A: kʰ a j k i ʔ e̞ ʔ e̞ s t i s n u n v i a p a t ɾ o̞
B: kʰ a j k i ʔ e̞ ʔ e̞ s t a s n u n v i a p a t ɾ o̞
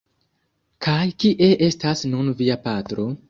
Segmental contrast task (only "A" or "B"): B